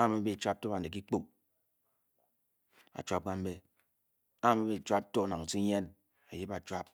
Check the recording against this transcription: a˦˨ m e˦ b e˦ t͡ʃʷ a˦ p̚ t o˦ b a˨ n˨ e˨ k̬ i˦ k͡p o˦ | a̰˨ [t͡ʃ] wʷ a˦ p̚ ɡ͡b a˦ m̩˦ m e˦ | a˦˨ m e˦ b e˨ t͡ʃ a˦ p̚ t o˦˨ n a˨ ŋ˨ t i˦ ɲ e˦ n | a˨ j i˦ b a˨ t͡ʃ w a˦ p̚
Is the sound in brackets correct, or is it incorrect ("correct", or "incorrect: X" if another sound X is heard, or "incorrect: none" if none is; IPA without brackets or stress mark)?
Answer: correct